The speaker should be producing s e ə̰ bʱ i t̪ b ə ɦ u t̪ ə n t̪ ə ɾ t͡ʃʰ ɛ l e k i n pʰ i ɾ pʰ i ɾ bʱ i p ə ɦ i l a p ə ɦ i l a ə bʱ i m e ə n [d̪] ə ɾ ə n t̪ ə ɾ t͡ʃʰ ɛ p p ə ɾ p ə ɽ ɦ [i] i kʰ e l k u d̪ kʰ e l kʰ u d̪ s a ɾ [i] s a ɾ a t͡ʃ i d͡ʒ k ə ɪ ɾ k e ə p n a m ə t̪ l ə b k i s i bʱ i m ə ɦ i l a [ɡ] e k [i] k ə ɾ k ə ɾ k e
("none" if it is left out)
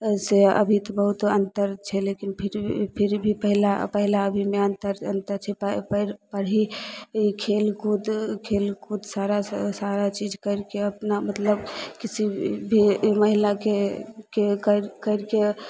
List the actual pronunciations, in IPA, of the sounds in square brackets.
t̪, i, a, k, e

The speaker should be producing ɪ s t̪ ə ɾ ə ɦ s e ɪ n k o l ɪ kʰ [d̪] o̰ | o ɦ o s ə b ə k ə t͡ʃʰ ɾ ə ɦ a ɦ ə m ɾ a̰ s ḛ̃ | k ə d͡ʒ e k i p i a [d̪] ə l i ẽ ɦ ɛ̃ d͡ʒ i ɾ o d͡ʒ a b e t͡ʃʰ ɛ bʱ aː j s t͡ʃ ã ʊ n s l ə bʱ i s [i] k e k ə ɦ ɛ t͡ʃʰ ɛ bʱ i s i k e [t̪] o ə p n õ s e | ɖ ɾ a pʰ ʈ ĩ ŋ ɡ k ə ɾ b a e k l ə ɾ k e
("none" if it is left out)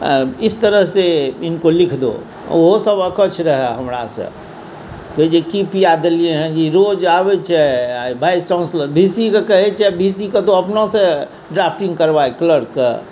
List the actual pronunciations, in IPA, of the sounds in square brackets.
d̪, d̪, i, t̪

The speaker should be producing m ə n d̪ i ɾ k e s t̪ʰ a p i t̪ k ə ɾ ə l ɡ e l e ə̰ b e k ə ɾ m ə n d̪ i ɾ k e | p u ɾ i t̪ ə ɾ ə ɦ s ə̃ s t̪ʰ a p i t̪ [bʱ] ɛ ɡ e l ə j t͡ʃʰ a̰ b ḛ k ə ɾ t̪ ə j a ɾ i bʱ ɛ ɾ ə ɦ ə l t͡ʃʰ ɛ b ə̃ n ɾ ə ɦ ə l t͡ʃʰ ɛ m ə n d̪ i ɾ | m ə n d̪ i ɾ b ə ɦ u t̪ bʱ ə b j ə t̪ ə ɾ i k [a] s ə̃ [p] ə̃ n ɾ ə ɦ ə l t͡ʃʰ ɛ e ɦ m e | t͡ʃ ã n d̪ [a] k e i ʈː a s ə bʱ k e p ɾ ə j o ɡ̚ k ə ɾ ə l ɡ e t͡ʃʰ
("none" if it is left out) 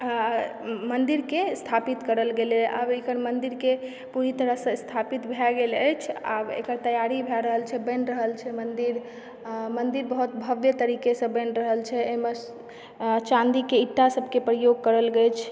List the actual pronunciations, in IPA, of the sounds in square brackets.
bʱ, e, b, i

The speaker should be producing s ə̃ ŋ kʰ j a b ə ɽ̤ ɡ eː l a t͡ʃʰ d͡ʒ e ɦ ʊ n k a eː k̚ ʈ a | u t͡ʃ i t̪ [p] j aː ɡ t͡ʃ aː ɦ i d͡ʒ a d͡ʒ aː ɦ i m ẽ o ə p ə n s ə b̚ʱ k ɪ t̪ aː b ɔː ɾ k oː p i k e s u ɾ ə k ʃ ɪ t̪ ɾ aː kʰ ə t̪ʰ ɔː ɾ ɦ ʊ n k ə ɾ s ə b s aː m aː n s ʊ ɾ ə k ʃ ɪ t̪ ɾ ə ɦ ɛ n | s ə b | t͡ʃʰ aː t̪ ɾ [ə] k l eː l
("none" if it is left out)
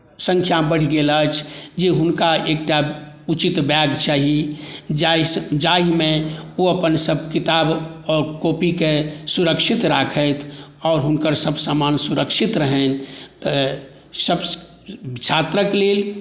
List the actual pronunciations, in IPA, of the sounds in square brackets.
b, ə

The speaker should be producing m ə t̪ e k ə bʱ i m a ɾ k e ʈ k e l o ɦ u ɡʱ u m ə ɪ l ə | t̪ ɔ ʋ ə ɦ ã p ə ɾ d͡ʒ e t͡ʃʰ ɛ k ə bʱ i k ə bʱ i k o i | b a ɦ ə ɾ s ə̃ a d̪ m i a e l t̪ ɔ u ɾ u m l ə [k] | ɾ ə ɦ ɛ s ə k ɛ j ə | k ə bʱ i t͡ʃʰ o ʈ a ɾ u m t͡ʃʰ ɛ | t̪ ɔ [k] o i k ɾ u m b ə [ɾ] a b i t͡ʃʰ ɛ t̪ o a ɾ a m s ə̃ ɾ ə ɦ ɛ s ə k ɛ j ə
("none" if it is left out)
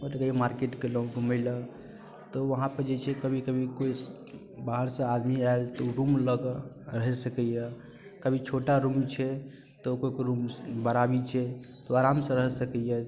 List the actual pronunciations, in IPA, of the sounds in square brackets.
ɡ, k, ɾ

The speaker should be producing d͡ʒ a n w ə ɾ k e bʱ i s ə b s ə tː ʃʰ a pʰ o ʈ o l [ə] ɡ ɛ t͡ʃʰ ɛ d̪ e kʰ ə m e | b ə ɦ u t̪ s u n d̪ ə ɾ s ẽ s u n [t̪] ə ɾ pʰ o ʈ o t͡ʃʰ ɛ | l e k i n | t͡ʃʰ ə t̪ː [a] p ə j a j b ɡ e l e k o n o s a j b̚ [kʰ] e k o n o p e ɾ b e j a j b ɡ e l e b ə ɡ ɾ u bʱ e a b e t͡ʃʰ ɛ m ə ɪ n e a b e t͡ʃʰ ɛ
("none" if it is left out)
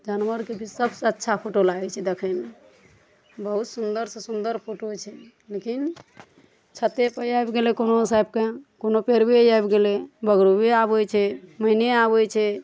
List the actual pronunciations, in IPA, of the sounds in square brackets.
a, d̪, e, k

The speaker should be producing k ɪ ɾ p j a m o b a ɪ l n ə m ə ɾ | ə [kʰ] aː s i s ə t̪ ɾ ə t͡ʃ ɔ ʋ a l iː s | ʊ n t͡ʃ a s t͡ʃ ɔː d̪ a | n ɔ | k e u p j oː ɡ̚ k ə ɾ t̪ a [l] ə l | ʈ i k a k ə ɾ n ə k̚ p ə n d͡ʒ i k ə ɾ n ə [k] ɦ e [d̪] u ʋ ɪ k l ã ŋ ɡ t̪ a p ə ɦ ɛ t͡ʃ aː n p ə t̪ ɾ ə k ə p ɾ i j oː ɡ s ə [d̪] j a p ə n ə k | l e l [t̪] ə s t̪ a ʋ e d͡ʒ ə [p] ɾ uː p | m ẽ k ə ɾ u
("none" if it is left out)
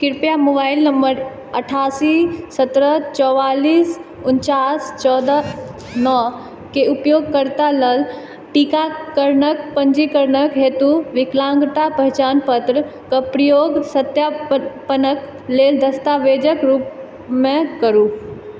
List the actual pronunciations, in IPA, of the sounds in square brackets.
ʈʰ, l, k, t̪, t̪, d̪, k

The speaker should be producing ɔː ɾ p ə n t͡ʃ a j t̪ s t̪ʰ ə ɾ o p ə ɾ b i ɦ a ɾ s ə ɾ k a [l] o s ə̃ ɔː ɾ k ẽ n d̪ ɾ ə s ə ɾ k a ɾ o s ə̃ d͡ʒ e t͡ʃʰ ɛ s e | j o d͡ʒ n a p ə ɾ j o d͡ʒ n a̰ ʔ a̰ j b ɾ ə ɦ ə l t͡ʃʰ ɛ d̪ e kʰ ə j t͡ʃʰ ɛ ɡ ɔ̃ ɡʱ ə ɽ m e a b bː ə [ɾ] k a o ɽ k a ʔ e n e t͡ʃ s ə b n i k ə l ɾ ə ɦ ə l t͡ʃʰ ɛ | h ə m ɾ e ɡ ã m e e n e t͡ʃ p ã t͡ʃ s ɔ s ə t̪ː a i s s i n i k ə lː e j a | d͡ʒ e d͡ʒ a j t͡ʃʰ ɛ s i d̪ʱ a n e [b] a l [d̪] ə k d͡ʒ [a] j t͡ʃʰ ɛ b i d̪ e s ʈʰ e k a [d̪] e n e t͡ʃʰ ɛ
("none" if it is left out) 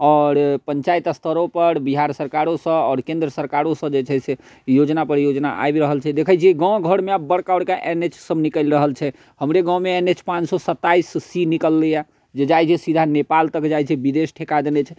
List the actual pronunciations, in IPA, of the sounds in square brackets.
ɾ, ɽ, p, t̪, a, d̪

